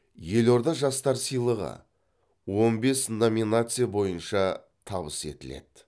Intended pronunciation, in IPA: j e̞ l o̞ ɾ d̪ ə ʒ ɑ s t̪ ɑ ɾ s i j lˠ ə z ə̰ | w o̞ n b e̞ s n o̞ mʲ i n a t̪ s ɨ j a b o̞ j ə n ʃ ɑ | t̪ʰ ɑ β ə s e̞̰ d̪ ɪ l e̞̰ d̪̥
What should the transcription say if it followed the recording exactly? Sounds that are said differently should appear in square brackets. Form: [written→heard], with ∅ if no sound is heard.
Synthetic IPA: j e̞ l o̞ ɾ d̪ [ə→ɑ] ʒ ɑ s t̪ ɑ ɾ s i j lˠ ə [z→ʁ] ə̰ | w o̞ n b e̞ s n o̞ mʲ i n a t̪ s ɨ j a b o̞ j ə n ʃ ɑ | t̪ʰ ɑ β ə s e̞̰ [d̪→t̪] ɪ l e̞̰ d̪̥